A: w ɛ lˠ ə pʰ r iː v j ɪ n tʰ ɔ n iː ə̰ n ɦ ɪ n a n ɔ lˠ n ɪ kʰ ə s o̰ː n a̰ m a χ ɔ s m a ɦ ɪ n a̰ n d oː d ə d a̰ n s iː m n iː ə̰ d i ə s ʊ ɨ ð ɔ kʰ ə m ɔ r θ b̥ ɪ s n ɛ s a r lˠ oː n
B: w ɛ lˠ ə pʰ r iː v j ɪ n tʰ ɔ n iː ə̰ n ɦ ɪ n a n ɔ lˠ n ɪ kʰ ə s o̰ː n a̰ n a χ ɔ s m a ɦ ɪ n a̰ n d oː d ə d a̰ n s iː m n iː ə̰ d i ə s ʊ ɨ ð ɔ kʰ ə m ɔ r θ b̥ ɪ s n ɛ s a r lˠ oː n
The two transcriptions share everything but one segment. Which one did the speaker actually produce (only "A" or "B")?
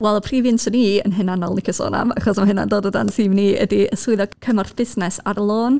A